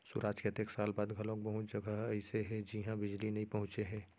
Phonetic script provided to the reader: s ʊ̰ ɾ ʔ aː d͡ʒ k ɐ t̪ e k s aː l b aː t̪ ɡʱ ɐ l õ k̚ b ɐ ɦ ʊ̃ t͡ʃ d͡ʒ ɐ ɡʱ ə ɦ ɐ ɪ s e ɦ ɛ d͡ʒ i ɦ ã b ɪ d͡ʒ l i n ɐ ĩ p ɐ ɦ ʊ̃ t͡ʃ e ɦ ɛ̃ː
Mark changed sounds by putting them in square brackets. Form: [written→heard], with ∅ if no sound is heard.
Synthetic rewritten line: s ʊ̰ ɾ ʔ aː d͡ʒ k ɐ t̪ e k s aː l b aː [t̪→d̪] ɡʱ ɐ l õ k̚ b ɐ ɦ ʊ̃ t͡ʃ d͡ʒ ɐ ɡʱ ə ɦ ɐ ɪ s e ɦ ɛ d͡ʒ i ɦ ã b ɪ d͡ʒ l i n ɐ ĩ p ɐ ɦ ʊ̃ t͡ʃ e ɦ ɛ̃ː